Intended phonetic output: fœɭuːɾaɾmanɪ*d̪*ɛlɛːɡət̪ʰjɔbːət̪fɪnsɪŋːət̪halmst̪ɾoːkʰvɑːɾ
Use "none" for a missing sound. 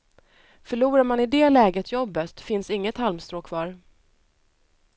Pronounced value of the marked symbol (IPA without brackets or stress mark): d̪